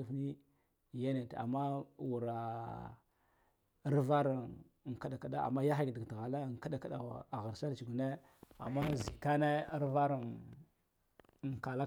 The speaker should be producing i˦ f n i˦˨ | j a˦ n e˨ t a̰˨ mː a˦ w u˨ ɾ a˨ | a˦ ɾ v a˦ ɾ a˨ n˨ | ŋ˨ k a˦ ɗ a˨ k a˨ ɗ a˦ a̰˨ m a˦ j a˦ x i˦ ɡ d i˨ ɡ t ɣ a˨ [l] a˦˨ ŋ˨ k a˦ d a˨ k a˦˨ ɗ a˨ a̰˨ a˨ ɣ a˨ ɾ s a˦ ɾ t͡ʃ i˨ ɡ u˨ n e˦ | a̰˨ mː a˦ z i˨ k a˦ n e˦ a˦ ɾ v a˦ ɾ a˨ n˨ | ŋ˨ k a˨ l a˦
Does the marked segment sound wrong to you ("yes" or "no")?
no